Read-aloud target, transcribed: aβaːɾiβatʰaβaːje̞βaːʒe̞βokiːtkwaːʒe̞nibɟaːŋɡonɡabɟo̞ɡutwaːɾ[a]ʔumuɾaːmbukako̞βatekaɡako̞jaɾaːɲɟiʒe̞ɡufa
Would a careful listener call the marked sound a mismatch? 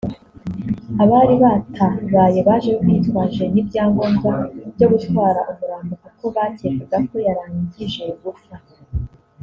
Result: no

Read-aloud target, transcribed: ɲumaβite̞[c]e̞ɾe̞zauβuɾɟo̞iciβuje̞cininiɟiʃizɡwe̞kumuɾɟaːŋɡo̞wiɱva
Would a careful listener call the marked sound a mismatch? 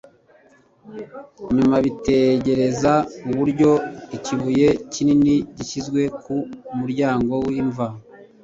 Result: yes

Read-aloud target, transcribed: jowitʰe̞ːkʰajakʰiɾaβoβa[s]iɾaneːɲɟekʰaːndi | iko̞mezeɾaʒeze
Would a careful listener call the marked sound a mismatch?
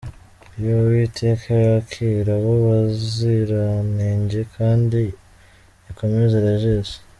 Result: yes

